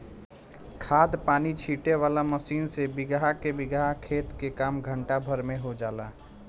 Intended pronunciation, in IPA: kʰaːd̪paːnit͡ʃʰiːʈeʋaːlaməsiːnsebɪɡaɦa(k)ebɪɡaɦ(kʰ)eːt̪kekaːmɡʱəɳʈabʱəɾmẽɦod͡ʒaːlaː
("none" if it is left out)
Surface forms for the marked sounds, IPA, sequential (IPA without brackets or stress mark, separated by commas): k, kʰ